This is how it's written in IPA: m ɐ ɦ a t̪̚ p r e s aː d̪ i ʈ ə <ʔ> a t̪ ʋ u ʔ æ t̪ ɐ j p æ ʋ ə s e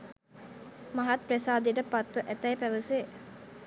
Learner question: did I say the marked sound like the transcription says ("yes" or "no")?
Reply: no